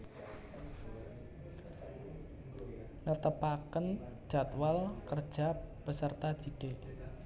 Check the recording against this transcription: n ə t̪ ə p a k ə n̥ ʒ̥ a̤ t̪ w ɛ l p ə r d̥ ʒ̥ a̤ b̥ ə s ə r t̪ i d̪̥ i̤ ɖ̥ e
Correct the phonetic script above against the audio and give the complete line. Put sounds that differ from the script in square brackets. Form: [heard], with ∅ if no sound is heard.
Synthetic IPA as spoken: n ə t̪ ə p a k ə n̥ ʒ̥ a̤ t̪ w [a] l [k] ə r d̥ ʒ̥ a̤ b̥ ə s ə r t̪ [a] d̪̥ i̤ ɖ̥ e